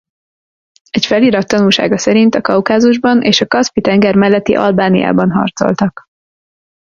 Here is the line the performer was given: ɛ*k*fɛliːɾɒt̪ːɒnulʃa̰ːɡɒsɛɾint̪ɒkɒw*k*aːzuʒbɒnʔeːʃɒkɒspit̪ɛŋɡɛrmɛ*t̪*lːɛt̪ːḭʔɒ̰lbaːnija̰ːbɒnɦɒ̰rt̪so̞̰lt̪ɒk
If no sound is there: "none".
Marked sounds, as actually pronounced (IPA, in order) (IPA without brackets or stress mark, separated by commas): c, k, none